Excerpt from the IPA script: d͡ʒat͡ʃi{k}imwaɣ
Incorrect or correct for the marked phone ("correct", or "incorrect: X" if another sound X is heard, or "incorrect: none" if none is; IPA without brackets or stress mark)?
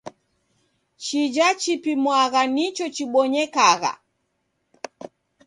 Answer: incorrect: p